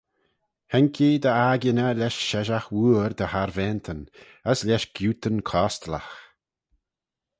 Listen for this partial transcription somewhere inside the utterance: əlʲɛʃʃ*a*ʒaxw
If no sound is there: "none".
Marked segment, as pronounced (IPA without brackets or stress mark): ɛ